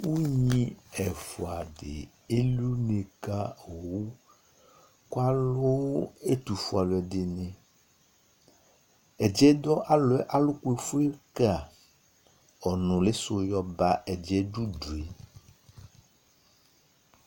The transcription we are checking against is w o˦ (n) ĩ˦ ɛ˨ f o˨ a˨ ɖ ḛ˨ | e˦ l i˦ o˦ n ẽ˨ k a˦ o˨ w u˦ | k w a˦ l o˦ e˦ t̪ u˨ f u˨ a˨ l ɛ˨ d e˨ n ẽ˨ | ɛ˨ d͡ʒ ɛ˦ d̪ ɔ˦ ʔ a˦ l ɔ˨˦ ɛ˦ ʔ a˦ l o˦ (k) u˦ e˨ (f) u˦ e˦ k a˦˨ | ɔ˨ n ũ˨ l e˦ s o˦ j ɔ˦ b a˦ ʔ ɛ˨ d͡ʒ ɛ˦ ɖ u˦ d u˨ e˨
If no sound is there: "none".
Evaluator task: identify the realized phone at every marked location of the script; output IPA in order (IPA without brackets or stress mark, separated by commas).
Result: ɲ, k, f